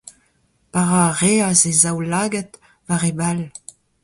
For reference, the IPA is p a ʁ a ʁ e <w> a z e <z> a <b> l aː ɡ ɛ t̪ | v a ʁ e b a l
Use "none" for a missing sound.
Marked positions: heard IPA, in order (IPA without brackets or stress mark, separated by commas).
none, z, w